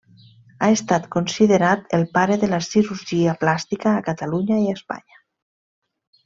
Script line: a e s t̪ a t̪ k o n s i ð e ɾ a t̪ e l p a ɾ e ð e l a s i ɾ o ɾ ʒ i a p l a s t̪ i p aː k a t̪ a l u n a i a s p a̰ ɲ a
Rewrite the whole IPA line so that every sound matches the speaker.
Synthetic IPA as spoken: a e s t̪ a t̪ k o n s i ð e ɾ a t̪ e l p a ɾ e ð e l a s i ɾ u ɾ ʒ i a p l a s t̪ i k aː k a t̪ a l u ɲ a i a s p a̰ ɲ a